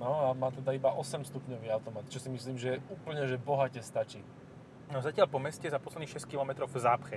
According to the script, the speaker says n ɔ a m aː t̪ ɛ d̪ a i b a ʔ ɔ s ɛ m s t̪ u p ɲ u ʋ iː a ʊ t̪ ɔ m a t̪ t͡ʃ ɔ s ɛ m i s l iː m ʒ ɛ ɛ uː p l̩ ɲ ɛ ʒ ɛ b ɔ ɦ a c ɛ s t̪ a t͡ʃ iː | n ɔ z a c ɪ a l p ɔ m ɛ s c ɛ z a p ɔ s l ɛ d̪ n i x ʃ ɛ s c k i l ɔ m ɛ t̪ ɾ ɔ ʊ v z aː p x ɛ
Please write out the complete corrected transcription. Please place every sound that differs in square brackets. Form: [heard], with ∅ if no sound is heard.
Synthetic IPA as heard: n ɔ a m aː t̪ ɛ d̪ a i b a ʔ ɔ s ɛ m s t̪ u p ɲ [ɔ] ʋ iː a ʊ t̪ ɔ m a t̪ t͡ʃ ɔ s [i] m i s l iː m ʒ ɛ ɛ uː p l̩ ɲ ɛ ʒ ɛ b ɔ ɦ a c ɛ s t̪ a t͡ʃ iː | n ɔ z a c ɪ a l p ɔ m ɛ s c ɛ z a p ɔ s l ɛ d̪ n i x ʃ ɛ s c k i l ɔ m ɛ t̪ ɾ ɔ ʊ v z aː p x ɛ